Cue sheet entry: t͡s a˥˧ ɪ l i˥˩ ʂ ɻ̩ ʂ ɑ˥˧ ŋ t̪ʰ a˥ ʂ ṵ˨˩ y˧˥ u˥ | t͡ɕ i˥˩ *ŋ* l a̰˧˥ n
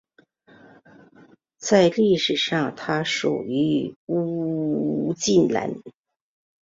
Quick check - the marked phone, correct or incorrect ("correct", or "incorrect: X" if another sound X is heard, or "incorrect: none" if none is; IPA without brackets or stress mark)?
incorrect: n